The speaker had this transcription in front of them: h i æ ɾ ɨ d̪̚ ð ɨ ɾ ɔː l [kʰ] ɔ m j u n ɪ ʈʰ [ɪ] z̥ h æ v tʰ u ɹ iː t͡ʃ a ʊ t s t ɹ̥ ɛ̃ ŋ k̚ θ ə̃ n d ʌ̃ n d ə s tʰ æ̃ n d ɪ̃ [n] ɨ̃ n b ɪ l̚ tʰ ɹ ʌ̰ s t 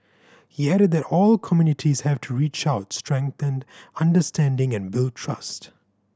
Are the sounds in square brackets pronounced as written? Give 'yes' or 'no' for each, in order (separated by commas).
yes, no, no